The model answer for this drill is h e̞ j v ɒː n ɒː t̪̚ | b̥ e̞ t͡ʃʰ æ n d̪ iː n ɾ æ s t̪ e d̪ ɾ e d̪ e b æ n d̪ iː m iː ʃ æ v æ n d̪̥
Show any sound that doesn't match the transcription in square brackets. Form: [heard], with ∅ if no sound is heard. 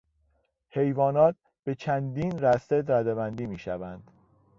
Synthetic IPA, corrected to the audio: h e̞ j v ɒː n ɒː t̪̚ | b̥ e̞ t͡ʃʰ æ n d̪ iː n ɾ æ s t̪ e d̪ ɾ [æ] d̪ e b æ n d̪ iː m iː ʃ æ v æ n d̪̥